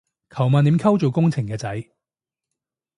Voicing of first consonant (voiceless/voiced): voiceless